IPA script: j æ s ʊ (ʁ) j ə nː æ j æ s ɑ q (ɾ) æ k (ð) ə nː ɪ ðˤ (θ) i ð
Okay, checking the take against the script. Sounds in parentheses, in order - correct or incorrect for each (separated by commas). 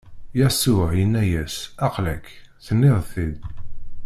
incorrect, incorrect, incorrect, correct